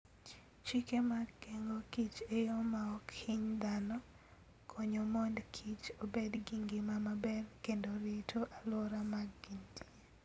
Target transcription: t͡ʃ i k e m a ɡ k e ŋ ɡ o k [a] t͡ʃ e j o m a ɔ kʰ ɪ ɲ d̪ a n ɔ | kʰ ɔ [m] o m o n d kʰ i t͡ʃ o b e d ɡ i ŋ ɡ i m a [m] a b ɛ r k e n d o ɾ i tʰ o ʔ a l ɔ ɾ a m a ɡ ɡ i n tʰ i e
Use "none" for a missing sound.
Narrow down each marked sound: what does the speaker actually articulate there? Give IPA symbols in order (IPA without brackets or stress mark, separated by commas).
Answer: i, ɲ, m